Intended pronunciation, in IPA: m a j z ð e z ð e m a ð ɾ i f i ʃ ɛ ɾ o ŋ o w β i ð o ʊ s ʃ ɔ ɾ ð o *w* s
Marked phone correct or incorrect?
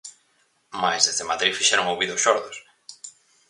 incorrect